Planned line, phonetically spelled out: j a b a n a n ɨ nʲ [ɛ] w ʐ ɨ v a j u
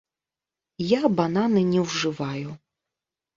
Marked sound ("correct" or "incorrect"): correct